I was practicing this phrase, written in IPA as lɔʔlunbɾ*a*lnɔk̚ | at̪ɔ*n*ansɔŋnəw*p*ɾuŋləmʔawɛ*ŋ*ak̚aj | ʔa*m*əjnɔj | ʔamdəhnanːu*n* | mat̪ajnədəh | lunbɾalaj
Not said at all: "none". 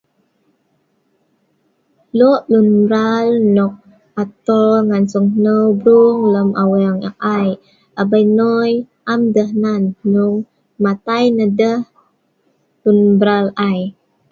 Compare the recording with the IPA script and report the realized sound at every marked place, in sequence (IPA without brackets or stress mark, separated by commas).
a, ŋ, b, ŋ, b, ŋ